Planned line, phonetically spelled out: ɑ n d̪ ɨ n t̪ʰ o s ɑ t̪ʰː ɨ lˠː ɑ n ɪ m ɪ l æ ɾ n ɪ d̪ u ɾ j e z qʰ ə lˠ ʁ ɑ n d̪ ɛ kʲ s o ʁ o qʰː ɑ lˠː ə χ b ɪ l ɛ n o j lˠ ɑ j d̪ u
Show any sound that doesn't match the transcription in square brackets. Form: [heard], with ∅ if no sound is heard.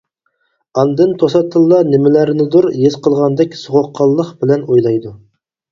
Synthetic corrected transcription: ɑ n d̪ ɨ n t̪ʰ o s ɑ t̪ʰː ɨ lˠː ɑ n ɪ m ɪ l æ ɾ n ɪ d̪ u ɾ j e z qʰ ə lˠ ʁ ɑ n d̪ ɛ kʲ s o ʁ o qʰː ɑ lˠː ə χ b ɪ l ɛ n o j lˠ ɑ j d̪ u